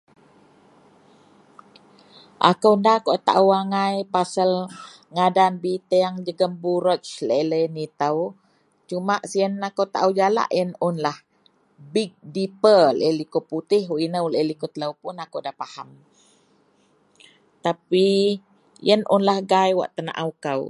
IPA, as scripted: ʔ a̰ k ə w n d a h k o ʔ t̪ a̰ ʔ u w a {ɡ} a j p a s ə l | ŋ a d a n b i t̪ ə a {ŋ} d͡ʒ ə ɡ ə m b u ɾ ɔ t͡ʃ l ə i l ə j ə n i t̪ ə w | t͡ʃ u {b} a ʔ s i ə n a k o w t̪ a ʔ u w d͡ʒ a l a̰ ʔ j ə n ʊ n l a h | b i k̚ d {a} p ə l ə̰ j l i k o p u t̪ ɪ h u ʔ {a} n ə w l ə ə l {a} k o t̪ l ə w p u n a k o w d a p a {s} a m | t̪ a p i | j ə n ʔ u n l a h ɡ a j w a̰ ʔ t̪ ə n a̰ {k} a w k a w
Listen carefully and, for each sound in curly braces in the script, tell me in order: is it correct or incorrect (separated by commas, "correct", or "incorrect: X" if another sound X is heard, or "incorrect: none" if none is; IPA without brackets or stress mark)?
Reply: incorrect: ŋ, correct, incorrect: m, incorrect: i, incorrect: i, incorrect: i, incorrect: h, incorrect: ʔ